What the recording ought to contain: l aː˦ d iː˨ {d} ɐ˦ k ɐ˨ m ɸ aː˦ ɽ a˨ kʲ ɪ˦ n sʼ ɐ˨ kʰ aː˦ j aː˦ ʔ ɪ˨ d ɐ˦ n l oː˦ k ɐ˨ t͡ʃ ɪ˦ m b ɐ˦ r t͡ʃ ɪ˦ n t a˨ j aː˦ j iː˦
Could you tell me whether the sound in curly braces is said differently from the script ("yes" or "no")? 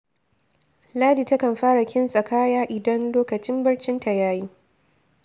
yes